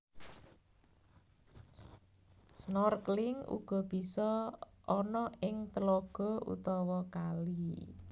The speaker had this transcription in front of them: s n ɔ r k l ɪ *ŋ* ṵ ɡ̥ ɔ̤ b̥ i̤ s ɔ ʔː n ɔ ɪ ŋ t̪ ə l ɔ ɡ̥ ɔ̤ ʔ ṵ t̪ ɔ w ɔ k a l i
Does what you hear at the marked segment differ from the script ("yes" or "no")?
no